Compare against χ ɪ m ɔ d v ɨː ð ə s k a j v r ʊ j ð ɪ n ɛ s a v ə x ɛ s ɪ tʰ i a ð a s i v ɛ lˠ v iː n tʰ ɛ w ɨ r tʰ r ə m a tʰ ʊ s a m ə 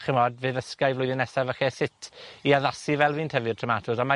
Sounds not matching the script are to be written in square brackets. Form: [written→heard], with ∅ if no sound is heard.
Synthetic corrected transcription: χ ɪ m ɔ d v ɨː ð ə s k a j v [r→l] ʊ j ð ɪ n ɛ s a v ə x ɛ s ɪ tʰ i a ð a s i v ɛ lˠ v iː n tʰ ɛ [w→v] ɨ r tʰ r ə m a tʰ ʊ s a m [ə→a]